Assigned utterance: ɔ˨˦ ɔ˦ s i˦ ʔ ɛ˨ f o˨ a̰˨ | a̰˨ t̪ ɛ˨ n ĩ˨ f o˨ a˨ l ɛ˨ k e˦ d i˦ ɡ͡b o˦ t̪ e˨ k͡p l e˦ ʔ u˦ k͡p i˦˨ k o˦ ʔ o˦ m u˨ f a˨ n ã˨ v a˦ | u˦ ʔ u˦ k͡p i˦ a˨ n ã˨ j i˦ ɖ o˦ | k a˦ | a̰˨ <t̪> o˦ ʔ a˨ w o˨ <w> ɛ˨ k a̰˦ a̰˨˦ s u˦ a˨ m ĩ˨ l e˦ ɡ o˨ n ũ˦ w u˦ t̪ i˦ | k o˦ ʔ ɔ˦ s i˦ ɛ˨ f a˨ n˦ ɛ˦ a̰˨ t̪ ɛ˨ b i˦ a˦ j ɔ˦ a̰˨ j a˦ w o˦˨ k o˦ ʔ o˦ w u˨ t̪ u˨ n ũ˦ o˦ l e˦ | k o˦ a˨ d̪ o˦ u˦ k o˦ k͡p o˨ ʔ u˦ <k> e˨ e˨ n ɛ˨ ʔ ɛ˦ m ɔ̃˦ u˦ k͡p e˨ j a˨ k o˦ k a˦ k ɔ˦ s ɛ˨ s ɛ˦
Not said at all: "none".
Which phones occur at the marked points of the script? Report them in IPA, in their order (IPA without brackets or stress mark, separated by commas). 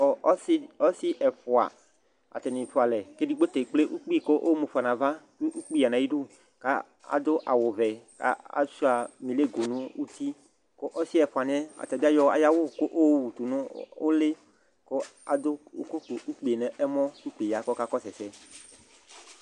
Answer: d̪, v, k͡p